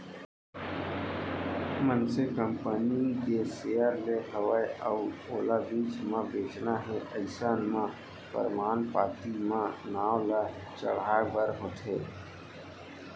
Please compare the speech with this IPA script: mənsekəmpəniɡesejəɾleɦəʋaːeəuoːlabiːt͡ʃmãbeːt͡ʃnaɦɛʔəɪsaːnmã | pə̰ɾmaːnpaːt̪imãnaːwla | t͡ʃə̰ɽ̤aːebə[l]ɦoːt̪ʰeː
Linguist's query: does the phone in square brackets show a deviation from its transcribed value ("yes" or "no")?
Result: yes